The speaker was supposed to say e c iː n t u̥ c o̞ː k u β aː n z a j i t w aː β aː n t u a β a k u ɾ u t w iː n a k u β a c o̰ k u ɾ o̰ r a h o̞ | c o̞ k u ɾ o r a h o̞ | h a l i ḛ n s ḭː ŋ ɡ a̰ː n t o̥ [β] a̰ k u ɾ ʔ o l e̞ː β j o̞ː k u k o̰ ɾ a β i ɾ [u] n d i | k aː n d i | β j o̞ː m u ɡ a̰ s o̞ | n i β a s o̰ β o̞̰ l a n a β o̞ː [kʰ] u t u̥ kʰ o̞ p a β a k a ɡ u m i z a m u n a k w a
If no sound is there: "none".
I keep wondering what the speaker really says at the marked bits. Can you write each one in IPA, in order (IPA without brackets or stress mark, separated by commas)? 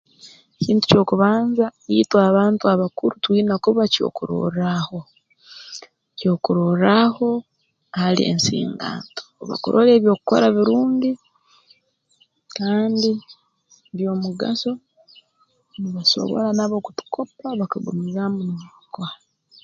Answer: β, uː, k